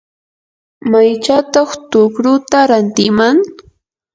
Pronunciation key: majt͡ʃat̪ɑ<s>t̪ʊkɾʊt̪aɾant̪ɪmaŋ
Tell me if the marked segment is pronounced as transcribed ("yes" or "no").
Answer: no